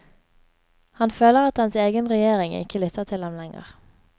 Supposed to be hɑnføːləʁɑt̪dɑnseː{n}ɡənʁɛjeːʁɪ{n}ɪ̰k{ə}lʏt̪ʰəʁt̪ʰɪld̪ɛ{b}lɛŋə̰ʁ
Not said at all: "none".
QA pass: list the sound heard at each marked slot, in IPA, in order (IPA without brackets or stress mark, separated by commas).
none, ŋ, ə, m